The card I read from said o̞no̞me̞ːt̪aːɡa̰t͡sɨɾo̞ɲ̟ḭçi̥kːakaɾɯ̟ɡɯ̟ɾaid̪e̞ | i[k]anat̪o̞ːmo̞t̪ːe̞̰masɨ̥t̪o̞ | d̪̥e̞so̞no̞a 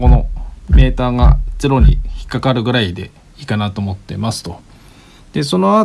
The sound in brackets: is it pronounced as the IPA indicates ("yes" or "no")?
yes